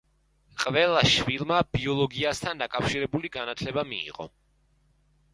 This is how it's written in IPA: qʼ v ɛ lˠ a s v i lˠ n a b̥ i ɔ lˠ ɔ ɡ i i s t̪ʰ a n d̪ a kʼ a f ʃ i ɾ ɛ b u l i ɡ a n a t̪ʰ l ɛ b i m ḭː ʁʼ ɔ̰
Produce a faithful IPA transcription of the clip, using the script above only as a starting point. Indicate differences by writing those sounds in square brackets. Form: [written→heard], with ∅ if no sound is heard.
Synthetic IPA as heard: qʼ v ɛ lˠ a [s→ʃ] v i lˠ [n→m] a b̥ i ɔ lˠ ɔ ɡ i [i→a] s t̪ʰ a n d̪ a kʼ a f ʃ i ɾ ɛ b u l i ɡ a n a t̪ʰ l ɛ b [i→a] m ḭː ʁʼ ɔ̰